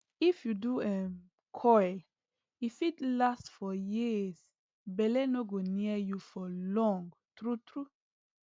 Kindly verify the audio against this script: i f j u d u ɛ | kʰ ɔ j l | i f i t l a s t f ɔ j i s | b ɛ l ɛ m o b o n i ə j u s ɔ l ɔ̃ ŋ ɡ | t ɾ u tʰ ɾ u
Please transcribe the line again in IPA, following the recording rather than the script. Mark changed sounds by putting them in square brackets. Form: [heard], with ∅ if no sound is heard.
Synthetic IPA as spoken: i f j u d u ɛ | kʰ ɔ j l | i f i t l a s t f ɔ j i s | b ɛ l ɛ [n] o [ɡ] o n i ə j u [f] ɔ l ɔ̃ ŋ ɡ | t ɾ u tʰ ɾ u